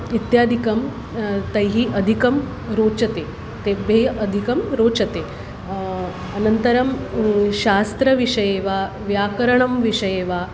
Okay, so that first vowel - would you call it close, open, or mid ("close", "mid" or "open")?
close